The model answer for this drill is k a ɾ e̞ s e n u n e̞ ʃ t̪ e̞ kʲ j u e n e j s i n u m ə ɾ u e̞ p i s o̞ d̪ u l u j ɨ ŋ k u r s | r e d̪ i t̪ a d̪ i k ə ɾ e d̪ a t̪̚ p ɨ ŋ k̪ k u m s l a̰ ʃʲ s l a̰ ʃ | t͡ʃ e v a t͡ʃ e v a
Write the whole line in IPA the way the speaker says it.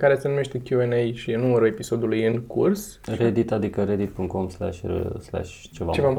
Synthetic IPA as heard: k a ɾ e̞ s e n u m e̞ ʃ t̪ e̞ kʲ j u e n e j ʃ i n u m ə ɾ u e̞ p i s o̞ d̪ u l u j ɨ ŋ k u r s | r e d̪ i t̪ a d̪ i k ə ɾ e d̪ i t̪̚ p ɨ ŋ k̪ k o m s l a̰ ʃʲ s l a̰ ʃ | t͡ʃ e v a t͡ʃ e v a